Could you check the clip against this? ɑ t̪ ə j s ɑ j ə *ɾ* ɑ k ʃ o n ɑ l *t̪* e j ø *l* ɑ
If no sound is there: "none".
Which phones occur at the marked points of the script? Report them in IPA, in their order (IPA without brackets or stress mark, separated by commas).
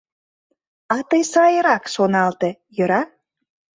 ɾ, t̪, ɾ